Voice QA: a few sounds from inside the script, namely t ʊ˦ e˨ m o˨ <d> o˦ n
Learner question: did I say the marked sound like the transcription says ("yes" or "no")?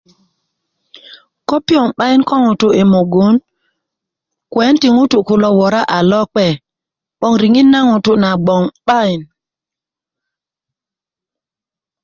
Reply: no